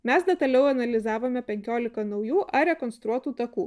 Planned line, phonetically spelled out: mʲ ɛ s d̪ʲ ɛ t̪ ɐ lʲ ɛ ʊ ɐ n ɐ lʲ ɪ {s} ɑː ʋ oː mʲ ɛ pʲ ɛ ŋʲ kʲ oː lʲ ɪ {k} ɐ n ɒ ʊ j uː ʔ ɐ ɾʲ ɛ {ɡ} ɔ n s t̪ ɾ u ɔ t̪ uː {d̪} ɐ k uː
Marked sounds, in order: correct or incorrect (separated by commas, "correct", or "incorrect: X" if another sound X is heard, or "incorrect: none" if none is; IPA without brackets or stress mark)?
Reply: incorrect: z, correct, incorrect: k, incorrect: t̪